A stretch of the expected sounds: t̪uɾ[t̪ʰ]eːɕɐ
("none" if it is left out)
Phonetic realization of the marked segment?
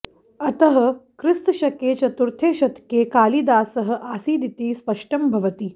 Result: t̪ʰ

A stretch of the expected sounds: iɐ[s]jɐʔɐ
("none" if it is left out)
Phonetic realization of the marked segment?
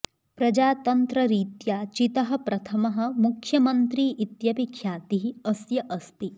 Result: s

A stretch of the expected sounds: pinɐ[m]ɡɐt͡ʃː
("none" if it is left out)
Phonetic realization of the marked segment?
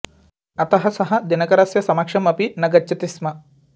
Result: none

